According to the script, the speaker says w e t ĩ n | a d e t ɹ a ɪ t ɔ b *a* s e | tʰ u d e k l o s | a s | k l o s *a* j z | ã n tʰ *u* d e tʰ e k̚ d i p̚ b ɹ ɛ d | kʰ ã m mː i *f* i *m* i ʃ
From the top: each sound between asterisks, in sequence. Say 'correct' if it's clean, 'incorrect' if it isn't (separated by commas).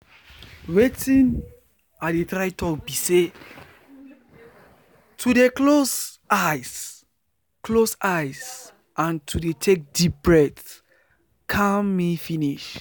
incorrect, correct, correct, correct, incorrect